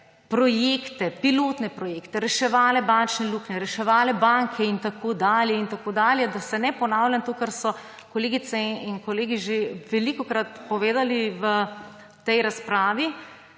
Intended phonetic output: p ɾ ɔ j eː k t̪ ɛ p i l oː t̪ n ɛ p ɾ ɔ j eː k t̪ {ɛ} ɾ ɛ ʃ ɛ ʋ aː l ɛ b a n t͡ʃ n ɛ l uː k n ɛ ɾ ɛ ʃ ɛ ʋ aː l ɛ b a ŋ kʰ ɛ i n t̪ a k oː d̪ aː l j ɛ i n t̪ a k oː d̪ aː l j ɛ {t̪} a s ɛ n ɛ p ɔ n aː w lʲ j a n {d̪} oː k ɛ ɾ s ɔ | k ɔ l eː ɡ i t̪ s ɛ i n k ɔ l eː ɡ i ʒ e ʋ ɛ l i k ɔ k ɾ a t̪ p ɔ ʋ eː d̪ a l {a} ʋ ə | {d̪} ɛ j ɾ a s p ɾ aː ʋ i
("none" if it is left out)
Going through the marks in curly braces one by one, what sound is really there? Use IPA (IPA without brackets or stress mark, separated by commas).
ɛ, d̪, t̪, i, t̪